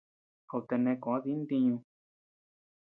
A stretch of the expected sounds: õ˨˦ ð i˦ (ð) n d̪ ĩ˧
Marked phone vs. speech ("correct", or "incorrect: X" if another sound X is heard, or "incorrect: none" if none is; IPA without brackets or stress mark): incorrect: none